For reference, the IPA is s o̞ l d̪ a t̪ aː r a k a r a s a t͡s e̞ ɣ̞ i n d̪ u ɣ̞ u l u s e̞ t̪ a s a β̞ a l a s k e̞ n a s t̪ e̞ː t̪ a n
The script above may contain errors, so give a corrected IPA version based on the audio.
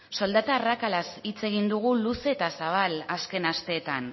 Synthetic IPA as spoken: s o̞ l d̪ a t̪ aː r a k a l a s i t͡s e̞ ɣ̞ i n d̪ u ɣ̞ u l u s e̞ t̪ a s a β̞ a l a s k e̞ n a s t̪ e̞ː t̪ a n